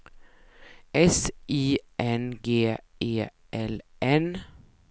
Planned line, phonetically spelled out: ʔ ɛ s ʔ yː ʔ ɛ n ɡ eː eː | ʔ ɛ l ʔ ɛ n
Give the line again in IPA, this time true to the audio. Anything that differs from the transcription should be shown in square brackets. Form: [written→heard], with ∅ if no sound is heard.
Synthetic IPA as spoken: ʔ ɛ s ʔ [yː→iː] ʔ ɛ n ɡ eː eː | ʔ ɛ l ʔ ɛ n